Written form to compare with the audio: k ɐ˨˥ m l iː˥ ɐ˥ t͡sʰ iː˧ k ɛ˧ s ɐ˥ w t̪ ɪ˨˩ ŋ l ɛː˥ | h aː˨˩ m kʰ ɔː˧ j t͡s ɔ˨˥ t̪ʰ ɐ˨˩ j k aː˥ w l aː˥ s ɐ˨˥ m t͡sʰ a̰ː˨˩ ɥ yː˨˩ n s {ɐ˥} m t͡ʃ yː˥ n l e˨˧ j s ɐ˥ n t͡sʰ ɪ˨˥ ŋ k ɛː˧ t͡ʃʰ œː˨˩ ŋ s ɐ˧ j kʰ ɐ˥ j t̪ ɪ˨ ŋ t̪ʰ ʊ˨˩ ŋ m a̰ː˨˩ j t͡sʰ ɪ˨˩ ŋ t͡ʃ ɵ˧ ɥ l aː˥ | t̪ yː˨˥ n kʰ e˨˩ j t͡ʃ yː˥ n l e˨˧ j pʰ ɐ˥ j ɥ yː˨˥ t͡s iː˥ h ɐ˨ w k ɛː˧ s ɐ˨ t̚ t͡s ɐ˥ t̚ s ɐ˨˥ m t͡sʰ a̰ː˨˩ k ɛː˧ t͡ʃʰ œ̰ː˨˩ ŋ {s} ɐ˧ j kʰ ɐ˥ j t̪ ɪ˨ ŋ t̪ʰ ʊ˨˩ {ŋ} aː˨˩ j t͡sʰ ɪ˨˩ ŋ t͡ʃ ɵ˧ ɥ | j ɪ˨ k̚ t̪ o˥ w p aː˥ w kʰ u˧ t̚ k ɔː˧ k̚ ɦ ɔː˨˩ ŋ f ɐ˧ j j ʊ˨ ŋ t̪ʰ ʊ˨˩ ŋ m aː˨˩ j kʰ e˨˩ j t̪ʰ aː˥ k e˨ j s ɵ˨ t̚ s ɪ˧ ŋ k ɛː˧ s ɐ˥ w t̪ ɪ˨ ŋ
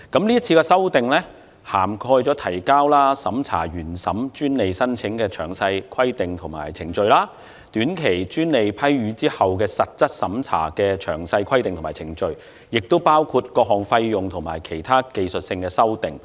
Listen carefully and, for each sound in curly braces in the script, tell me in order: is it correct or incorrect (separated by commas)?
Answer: incorrect, correct, incorrect